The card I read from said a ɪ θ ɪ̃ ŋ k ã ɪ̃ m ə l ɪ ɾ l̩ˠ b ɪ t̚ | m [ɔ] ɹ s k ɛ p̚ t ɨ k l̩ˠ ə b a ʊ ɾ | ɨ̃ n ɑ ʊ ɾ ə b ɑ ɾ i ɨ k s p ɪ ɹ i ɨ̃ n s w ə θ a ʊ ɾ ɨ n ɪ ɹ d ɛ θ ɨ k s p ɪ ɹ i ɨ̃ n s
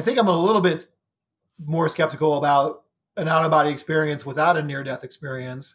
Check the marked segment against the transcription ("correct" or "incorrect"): correct